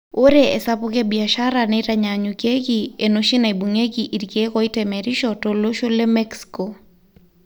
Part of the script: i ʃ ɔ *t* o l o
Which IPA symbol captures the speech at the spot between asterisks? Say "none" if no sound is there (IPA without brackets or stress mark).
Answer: t